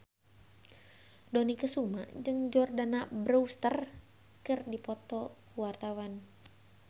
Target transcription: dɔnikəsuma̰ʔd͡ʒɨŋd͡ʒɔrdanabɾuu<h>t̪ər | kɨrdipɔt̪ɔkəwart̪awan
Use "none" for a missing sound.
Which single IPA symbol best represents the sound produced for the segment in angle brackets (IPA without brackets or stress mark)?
s